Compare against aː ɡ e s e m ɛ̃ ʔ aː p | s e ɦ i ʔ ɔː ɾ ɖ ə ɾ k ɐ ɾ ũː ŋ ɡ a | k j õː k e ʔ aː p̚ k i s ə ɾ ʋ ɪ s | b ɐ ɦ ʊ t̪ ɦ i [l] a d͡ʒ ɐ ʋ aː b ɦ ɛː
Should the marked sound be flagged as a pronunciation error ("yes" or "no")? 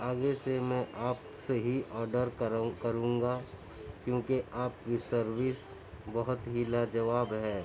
no